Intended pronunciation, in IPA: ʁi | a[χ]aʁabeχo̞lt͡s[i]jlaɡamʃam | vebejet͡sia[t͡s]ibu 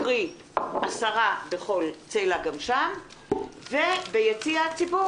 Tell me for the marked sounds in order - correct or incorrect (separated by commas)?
incorrect, incorrect, correct